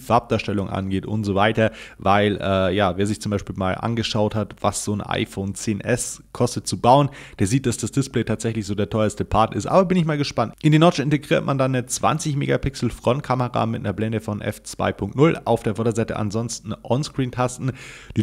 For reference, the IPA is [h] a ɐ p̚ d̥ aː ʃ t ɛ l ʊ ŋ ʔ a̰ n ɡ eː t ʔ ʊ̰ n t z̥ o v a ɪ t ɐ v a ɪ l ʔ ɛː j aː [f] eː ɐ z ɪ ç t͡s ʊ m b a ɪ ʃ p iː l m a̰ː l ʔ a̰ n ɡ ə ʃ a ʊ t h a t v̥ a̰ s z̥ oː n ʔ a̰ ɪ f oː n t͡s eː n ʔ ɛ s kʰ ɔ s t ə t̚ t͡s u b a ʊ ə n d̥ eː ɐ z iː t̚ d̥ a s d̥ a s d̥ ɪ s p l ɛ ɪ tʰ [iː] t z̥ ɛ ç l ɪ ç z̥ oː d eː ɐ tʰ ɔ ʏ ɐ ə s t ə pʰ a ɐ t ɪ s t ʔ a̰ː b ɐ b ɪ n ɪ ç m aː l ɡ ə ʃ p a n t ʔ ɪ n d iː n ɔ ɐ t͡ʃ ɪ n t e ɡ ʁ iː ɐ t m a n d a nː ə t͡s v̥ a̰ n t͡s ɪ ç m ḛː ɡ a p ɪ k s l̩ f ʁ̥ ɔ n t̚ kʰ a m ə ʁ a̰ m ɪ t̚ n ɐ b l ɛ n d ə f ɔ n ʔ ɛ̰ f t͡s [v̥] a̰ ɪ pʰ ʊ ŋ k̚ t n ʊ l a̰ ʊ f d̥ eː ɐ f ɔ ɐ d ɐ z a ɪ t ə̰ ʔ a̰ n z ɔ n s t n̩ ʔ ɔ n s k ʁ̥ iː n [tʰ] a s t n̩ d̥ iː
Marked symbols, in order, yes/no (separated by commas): no, no, no, yes, yes